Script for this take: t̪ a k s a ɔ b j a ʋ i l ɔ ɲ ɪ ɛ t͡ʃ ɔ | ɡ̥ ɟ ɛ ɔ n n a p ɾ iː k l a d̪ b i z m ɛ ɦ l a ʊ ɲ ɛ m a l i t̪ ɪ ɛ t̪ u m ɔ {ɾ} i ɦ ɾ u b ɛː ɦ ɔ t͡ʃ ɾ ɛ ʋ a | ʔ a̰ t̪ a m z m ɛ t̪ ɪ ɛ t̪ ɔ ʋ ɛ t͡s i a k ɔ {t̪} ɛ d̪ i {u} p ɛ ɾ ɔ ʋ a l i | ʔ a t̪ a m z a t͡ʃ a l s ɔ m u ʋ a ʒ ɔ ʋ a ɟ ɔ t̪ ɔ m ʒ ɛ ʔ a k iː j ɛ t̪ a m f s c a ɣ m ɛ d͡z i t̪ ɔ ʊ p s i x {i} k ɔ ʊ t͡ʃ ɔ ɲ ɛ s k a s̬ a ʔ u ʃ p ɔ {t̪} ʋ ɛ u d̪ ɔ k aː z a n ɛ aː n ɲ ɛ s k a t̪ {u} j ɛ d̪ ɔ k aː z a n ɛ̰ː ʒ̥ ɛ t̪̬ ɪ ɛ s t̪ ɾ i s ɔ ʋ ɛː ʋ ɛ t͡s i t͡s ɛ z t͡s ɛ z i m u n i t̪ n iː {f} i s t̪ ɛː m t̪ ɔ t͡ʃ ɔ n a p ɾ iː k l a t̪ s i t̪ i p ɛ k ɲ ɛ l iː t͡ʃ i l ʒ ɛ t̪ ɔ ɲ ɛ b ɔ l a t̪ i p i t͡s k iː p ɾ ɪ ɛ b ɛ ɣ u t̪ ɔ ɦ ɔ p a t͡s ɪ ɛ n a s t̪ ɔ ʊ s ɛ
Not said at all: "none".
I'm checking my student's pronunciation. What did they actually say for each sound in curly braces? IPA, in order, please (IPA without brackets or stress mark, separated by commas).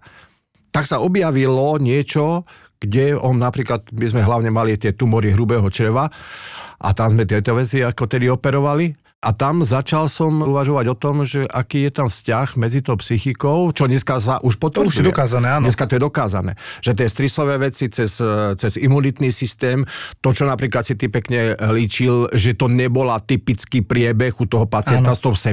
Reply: ɾ, t̪, ɔ, i, t̪, ɔ, s